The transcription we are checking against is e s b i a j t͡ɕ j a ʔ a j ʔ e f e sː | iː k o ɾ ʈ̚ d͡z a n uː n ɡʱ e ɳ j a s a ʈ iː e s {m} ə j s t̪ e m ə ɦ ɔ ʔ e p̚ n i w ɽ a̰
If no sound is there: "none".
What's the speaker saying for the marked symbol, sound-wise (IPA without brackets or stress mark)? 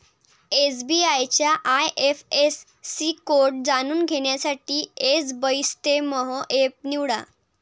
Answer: b